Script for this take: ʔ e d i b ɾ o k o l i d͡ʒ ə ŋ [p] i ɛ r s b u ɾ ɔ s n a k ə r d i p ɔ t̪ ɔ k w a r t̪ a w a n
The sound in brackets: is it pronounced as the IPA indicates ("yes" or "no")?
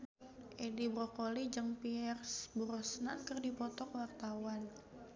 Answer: yes